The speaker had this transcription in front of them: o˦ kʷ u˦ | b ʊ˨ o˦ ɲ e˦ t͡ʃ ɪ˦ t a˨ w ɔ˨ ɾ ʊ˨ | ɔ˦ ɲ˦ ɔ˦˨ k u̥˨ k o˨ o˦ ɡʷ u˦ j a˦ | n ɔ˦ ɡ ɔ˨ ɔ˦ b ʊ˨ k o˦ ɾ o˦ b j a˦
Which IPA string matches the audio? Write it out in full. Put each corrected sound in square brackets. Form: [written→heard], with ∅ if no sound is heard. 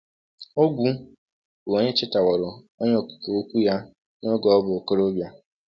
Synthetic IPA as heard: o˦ [kʷ→ɡʷ] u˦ | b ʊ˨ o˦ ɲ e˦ t͡ʃ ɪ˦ t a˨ w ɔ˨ ɾ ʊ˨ | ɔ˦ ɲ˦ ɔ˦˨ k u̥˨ k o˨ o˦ [ɡʷ→kʷ] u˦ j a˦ | n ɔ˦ ɡ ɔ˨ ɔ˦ b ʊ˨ k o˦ ɾ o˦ b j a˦